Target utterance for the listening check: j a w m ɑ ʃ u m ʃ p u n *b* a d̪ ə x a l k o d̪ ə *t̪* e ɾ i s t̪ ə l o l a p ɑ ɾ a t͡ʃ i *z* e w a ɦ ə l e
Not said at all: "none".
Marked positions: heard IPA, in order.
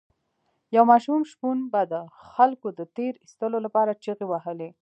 b, t̪, ɣ

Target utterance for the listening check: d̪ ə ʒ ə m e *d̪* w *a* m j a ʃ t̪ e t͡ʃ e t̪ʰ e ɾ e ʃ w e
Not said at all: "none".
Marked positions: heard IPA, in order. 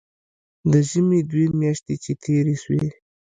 d̪, e

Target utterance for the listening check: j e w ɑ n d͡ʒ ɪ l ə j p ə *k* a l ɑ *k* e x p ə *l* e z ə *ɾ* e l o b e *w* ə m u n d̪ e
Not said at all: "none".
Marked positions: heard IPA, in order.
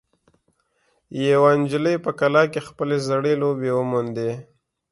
k, k, l, ɽ, w

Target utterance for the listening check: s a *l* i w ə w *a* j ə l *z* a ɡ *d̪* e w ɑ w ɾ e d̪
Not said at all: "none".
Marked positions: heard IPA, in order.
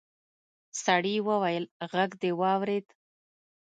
ɽ, a, ɣ, d̪

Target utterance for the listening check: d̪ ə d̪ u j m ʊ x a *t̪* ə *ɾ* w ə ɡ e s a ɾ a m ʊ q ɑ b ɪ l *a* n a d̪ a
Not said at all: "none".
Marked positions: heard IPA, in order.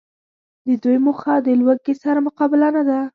d̪, l, a

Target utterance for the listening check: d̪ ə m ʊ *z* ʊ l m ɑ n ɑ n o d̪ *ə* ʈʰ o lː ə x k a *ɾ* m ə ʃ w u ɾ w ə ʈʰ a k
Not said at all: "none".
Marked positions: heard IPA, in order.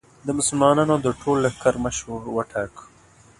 s, ə, ɾ

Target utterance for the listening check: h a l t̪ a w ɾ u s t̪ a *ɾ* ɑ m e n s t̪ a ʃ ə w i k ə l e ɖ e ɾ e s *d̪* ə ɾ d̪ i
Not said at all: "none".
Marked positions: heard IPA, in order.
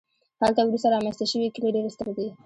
ɾ, t̪

